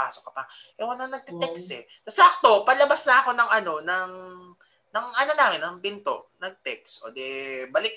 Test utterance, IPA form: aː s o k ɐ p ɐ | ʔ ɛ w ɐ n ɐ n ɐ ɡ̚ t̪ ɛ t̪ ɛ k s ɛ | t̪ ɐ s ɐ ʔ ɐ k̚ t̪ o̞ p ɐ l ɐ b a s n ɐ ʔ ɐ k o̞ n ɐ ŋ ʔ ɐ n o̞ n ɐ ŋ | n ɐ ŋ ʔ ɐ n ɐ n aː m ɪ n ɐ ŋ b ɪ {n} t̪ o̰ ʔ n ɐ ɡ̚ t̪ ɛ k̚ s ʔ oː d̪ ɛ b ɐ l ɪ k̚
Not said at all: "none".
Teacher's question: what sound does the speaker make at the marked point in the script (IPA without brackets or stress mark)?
n